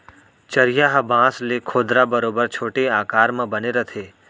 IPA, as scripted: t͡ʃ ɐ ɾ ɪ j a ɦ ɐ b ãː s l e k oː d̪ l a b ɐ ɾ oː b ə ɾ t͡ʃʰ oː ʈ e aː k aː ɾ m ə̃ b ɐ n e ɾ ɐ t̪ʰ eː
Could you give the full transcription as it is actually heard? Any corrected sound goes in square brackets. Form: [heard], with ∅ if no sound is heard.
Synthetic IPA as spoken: t͡ʃ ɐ ɾ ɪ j a ɦ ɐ b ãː s l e [kʰ] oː d̪ [ɾ] a b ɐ ɾ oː b ə ɾ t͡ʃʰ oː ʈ e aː k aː ɾ m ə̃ b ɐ n e ɾ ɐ t̪ʰ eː